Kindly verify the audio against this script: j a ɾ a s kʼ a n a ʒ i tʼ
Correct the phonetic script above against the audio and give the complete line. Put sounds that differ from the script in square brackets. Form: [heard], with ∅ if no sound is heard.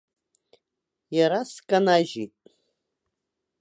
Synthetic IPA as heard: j a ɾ a s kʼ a n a ʒ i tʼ